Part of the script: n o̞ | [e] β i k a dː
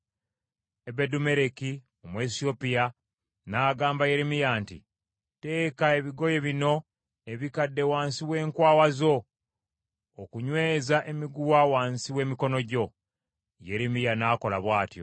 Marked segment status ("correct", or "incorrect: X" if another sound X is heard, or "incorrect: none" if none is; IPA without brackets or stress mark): correct